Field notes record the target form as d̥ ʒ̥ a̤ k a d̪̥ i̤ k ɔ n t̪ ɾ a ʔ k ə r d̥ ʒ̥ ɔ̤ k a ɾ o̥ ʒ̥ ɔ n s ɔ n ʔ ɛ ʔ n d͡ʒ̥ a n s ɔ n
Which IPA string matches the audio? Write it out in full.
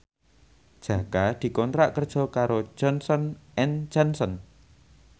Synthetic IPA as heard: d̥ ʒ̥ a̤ k a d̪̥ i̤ k ɔ n t̪ ɾ a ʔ k ə r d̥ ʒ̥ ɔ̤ k a ɾ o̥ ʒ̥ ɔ n s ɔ n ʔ ɛ n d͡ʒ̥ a n s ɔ n